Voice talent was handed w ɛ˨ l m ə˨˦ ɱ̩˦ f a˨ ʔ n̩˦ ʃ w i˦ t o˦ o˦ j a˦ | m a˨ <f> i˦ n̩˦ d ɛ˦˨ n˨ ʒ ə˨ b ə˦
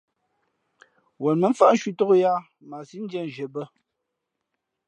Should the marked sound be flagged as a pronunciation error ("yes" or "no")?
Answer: yes